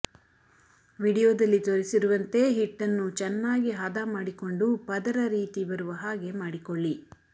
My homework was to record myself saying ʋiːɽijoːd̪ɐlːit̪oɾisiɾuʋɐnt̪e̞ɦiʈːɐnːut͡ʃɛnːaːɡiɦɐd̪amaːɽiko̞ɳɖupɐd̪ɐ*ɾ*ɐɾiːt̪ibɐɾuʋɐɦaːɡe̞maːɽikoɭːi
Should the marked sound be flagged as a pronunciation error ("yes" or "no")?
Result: no